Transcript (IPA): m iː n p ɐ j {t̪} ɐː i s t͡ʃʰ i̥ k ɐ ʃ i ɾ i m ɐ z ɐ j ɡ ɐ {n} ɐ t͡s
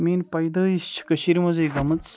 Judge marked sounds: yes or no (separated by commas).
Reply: no, no